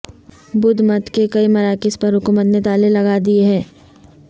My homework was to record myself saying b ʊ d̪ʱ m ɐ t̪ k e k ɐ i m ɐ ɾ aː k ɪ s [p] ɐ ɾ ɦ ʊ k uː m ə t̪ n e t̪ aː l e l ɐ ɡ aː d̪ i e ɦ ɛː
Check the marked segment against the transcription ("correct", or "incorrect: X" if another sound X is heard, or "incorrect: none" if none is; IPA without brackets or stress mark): correct